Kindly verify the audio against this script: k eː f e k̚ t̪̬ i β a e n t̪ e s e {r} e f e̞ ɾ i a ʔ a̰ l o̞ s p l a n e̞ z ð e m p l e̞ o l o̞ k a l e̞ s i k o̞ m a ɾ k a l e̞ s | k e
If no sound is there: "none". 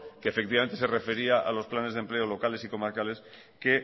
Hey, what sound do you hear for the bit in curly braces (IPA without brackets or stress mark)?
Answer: r